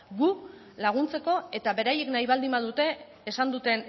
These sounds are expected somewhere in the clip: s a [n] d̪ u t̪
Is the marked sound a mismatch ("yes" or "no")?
no